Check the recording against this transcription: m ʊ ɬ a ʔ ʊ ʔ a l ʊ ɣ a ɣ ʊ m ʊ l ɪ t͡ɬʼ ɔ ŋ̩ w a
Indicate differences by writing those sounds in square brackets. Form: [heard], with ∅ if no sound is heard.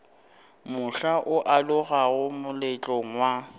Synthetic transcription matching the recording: m ʊ ɬ a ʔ ʊ ʔ a l ʊ ɣ a ɣ ʊ m ʊ l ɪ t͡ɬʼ ɔ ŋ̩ w a